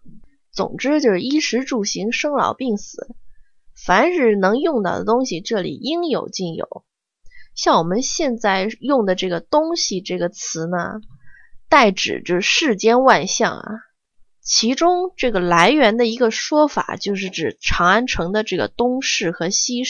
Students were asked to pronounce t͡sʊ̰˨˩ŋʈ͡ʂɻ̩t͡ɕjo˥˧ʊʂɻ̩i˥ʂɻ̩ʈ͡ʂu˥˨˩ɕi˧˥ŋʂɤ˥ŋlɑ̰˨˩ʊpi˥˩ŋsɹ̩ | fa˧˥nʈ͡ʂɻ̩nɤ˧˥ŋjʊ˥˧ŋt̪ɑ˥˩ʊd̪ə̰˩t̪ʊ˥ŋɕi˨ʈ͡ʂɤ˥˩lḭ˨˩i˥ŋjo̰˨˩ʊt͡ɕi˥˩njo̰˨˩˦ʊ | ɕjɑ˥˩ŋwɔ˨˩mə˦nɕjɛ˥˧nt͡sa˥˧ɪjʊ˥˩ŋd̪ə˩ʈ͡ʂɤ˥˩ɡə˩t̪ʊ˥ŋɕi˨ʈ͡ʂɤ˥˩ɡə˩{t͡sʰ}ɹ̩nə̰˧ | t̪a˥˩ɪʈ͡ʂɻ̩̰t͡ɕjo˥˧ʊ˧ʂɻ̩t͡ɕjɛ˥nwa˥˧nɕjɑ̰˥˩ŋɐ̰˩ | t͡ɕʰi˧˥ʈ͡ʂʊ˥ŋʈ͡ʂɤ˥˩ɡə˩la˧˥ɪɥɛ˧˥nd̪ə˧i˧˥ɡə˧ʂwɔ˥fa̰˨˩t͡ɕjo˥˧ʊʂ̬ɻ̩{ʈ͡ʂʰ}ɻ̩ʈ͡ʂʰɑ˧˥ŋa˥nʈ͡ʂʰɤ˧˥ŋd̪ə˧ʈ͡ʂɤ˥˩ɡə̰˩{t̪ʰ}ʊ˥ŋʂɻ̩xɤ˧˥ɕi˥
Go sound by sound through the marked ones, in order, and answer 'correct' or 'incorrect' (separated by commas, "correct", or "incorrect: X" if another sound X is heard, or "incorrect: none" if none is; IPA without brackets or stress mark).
correct, incorrect: ʈ͡ʂ, incorrect: t̪